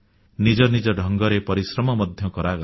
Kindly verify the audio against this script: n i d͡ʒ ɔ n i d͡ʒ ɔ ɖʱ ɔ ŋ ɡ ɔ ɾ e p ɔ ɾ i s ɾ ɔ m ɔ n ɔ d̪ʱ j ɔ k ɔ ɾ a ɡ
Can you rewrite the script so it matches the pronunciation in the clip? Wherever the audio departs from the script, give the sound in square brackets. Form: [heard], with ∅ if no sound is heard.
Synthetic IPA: n i d͡ʒ ɔ n i d͡ʒ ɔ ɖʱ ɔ ŋ ɡ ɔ ɾ e p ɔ ɾ i s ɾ ɔ m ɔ [m] ɔ d̪ʱ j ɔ k ɔ ɾ a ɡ

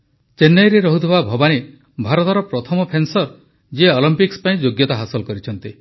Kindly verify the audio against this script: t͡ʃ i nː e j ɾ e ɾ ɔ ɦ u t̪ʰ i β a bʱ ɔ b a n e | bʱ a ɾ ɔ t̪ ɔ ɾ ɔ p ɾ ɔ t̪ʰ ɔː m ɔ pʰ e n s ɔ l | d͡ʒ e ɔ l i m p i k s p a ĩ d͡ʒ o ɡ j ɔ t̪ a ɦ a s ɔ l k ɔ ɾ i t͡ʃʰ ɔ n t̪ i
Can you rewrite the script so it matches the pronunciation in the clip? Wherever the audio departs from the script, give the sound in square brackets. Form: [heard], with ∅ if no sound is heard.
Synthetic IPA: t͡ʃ [e] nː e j ɾ e ɾ ɔ ɦ u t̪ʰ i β a bʱ ɔ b a n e | bʱ a ɾ ɔ t̪ ɔ ɾ ɔ p ɾ ɔ t̪ʰ [ɔ] m ɔ pʰ e n s ɔ [ɾ] | d͡ʒ e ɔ l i m p i k s p a ĩ d͡ʒ o ɡ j ɔ t̪ a ɦ a s ɔ l k ɔ ɾ i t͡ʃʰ ɔ n t̪ i

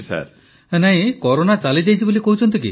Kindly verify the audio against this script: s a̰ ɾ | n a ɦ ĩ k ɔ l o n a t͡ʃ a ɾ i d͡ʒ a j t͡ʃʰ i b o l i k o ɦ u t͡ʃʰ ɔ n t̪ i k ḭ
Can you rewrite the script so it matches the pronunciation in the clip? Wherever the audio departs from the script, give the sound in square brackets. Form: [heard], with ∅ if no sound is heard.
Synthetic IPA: s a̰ ɾ | n a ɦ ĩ k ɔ [ɾ] o n a t͡ʃ a [l] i d͡ʒ a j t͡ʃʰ i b o l i k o ɦ u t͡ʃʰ ɔ n t̪ i k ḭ

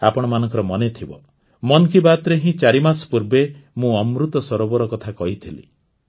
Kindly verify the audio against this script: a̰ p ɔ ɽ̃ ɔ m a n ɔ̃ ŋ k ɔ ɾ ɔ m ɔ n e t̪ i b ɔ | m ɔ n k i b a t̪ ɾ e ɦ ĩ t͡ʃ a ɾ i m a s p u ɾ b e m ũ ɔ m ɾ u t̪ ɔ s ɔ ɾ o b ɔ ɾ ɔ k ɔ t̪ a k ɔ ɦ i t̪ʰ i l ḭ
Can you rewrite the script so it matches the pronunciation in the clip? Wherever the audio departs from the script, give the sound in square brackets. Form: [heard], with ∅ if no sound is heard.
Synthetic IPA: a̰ p ɔ ɽ̃ ɔ m a n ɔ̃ ŋ k ɔ ɾ ɔ m ɔ n e [t̪ʰ] i b ɔ | m ɔ n k i b a t̪ ɾ e ɦ ĩ t͡ʃ a ɾ i m a s p u ɾ b e m ũ ɔ m ɾ u t̪ ɔ s ɔ ɾ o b ɔ ɾ ɔ k ɔ [t̪ʰ] a k ɔ ɦ i t̪ʰ i l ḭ

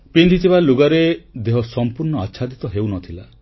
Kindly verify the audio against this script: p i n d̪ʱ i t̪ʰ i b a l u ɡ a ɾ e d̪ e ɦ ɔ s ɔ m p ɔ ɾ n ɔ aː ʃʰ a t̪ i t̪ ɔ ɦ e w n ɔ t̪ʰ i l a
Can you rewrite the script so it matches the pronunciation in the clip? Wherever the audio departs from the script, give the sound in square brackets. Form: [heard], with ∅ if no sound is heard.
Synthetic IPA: p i n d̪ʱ i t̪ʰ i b a l u ɡ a ɾ e d̪ e ɦ ɔ s ɔ m p [u] ɾ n ɔ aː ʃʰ a [d̪] i t̪ ɔ ɦ e w n ɔ t̪ʰ i l a

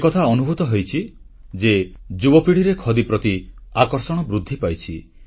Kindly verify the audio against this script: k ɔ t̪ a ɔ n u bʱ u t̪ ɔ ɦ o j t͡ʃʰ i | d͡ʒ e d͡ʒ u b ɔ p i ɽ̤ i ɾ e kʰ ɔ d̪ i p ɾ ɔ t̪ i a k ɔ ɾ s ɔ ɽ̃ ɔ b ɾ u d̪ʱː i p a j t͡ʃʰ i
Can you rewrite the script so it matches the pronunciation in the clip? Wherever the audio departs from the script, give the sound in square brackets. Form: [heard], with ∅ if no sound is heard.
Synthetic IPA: k ɔ [t̪ʰ] a ɔ n u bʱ u t̪ ɔ ɦ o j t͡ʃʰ i | d͡ʒ e d͡ʒ u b ɔ p i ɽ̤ i ɾ e kʰ ɔ d̪ i p ɾ ɔ t̪ i a k ɔ ɾ s ɔ ɽ̃ ɔ b ɾ u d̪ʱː i p a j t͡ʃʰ i

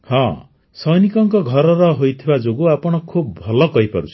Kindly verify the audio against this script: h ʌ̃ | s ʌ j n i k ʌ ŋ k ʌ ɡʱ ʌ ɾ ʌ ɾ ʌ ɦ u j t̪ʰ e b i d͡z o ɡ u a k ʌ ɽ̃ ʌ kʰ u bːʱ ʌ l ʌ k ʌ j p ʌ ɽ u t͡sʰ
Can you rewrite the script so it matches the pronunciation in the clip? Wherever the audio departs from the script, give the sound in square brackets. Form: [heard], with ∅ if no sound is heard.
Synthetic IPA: h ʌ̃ | s ʌ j n i k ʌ ŋ k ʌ ɡʱ ʌ ɾ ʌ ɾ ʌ ɦ [o] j t̪ʰ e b [a] d͡z o ɡ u a [p] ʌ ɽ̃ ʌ kʰ u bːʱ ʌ l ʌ k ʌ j p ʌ [ɾ] u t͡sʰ

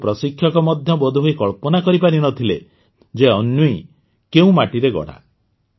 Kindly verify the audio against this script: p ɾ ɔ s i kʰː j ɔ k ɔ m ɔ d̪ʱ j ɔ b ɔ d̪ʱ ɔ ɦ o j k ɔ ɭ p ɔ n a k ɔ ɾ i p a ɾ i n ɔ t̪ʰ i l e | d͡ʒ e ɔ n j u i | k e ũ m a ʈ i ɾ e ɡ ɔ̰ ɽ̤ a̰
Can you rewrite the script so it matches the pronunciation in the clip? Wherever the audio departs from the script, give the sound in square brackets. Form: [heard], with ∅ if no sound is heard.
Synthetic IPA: p ɾ ɔ s i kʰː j ɔ k ɔ m ɔ d̪ʱ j ɔ b ɔ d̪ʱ [u] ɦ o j k ɔ ɭ p ɔ n a k ɔ ɾ i p a ɾ i n ɔ t̪ʰ i l e | d͡ʒ e ɔ n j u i | k e ũ m a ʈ i ɾ e ɡ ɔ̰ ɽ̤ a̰

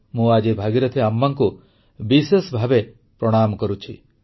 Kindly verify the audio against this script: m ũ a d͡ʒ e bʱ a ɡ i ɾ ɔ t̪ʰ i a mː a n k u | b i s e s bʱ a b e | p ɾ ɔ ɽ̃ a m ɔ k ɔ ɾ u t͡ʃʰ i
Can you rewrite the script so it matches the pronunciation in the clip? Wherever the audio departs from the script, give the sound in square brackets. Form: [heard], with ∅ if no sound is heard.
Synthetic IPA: m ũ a d͡ʒ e bʱ a ɡ i ɾ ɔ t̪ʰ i a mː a [ŋ] k u | b i s e s bʱ a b e | p ɾ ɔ ɽ̃ a m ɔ k ɔ ɾ u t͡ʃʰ i

